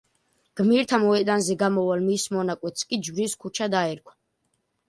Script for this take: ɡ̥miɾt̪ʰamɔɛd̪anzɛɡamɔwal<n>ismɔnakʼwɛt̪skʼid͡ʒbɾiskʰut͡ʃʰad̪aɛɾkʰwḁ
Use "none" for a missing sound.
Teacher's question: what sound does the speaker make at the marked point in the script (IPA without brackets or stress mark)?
m